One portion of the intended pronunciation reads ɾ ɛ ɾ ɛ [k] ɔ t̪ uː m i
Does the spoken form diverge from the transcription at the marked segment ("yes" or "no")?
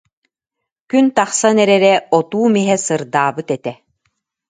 yes